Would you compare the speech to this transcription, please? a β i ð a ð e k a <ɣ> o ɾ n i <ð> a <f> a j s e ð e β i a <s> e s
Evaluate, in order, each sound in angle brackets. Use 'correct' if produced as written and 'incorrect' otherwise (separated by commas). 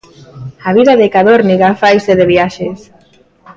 incorrect, incorrect, correct, incorrect